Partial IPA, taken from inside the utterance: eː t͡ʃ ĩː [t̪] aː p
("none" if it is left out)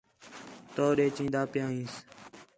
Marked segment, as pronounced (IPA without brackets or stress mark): d̪